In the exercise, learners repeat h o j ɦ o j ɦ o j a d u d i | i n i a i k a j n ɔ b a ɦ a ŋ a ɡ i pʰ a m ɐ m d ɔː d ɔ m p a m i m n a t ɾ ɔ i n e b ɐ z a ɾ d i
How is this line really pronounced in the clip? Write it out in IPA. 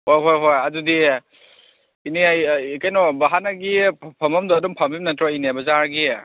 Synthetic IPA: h o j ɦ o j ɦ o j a d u d i | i n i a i k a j n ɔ b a ɦ a n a ɡ i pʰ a m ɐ m d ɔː d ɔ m pʰ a m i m n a t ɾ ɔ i n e b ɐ z a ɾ ɡ i